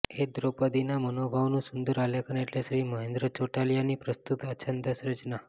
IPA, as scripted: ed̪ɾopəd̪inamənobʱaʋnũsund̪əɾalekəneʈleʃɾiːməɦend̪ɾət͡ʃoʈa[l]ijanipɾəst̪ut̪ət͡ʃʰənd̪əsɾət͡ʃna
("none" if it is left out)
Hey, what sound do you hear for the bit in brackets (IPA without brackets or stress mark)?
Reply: l